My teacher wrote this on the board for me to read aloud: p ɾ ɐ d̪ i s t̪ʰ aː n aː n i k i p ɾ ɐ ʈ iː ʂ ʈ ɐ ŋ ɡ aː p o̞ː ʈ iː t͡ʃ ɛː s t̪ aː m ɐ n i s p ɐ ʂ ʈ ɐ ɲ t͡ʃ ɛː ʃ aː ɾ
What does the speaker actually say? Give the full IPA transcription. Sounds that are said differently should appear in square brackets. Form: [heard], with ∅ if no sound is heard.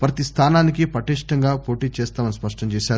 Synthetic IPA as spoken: p ɾ ɐ [t̪] i s t̪ʰ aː n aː n i k i p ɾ ɐ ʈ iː ʂ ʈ ɐ ŋ ɡ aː p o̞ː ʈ iː t͡ʃ ɛː s t̪ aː m ɐ n i s p ɐ ʂ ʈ ɐ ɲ t͡ʃ ɛː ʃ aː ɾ